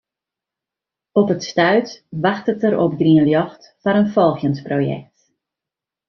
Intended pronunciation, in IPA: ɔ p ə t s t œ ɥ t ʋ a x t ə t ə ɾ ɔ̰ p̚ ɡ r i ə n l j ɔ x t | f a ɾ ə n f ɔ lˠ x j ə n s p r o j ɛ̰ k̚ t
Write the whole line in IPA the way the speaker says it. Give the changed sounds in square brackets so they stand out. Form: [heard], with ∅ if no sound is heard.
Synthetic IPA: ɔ p ə t s t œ ɥ t ʋ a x t ə t ə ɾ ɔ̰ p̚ ɡ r i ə n l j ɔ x t | f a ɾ ə n f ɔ lˠ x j ə n s p r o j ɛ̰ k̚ t